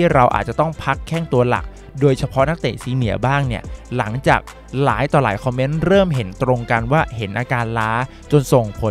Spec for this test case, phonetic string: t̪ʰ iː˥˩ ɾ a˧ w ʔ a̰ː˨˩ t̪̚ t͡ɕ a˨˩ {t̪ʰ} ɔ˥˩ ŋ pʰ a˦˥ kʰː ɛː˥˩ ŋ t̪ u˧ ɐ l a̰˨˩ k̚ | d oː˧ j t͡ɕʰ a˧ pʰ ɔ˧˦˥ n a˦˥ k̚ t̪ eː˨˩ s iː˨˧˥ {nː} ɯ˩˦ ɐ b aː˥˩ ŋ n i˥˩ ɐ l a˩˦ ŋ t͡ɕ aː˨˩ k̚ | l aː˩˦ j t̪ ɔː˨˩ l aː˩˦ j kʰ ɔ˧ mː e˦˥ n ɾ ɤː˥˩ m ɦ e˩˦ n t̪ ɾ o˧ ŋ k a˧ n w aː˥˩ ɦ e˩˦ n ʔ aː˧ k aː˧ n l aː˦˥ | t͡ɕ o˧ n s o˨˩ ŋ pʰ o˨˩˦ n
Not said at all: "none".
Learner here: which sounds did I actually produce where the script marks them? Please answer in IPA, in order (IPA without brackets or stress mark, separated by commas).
t̪, n